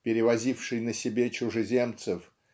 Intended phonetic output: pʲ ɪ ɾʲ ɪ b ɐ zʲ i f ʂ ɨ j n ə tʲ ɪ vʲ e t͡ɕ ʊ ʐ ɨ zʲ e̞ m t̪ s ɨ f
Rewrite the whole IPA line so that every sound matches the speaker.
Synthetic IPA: pʲ ɪ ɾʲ ɪ v ɐ zʲ i f ʂ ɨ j n ə sʲ ɪ bʲ e t͡ɕ ʊ ʐ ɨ zʲ e̞ m t̪ s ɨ f

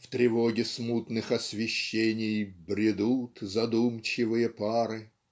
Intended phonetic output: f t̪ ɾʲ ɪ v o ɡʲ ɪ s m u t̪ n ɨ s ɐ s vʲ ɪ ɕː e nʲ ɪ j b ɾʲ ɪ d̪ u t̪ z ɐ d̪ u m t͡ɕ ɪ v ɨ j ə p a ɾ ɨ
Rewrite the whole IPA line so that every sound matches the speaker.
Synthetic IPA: f t̪ ɾʲ ɪ v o ɡʲ ɪ s m u t̪ n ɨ x ɐ s vʲ ɪ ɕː e nʲ ɪ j b ɾʲ ɪ d̪ u t̪ z ɐ d̪ u m t͡ɕ ɪ v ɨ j ə p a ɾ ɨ

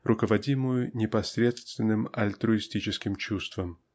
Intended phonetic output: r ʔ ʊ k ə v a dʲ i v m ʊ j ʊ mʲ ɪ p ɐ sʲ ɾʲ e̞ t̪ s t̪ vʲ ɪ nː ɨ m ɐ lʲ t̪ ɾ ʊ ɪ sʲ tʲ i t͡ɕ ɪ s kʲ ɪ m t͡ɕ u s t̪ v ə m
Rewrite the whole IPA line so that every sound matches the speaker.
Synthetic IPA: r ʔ ʊ k ə v ɐ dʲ i m ʊ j ʊ nʲ ɪ p ɐ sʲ ɾʲ e̞ t̪ s t̪ vʲ ɪ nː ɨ m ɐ lʲ t̪ ɾ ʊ ɪ sʲ tʲ i t͡ɕ ɪ s kʲ ɪ m t͡ɕ u s t̪ v ə m

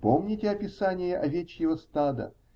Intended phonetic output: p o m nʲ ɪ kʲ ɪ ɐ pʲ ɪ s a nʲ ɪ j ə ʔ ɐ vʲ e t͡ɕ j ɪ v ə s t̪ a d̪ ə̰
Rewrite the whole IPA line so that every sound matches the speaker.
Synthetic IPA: p o m nʲ ɪ tʲ ɪ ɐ pʲ ɪ s a nʲ ɪ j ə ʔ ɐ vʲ e t͡ɕ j ɪ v ə s t̪ a d̪ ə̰

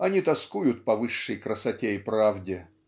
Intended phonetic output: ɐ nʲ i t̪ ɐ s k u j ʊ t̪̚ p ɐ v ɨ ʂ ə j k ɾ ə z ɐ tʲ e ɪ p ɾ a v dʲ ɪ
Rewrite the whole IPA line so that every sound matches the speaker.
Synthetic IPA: ɐ nʲ i t̪ ɐ s k u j ʊ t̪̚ p ɐ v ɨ ʂː ə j k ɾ ə s ɐ tʲ e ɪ p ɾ a v dʲ ɪ

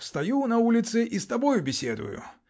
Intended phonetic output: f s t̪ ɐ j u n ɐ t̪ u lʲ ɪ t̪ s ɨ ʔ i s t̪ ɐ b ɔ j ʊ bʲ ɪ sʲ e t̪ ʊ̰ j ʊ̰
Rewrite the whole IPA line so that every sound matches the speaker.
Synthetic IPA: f s t̪ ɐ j u n ɐ u lʲ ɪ t̪ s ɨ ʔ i s t̪ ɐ b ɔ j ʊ bʲ ɪ sʲ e d̪ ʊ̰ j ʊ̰

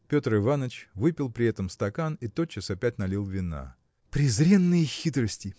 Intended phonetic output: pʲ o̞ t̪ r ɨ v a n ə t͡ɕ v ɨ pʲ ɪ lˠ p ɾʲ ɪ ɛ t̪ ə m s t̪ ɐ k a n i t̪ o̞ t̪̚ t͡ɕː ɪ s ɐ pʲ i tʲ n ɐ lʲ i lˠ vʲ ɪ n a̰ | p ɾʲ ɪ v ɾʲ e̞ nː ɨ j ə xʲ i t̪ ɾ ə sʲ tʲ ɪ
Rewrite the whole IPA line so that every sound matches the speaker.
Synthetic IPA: pʲ o̞ t̪ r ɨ v a n ə t͡ɕ v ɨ pʲ ɪ lˠ p ɾʲ ɪ ɛ t̪ ə m s t̪ ɐ k a n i t̪ o̞ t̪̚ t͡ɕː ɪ s ɐ pʲ æ tʲ n ɐ lʲ i lˠ vʲ ɪ n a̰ | p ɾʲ ɪ z ɾʲ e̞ nː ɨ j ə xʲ i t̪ ɾ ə sʲ tʲ ɪ

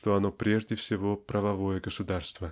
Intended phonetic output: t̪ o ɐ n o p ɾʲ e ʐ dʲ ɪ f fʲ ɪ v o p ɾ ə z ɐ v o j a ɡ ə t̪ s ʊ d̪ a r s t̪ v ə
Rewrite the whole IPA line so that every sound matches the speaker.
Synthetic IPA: t̪ o ɐ n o p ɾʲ e ʐ dʲ ɪ f sʲ ɪ v o p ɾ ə v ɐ v o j ə ɡ ə s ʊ d̪ a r s t̪ v ə

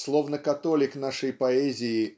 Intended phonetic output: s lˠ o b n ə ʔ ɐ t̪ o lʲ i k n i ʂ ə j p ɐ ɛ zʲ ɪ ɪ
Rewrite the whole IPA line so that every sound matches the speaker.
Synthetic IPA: s lˠ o v n ə k ɐ t̪ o lʲ ɪ k n a ʂ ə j p ɐ ɛ zʲ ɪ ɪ

